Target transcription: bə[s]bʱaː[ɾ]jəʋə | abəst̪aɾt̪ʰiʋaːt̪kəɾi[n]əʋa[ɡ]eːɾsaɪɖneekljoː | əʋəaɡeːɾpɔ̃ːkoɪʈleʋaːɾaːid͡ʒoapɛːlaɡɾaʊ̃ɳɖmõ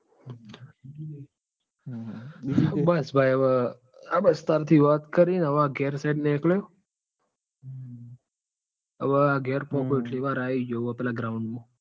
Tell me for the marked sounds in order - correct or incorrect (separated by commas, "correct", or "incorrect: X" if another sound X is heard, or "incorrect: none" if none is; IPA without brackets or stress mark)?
correct, incorrect: none, correct, correct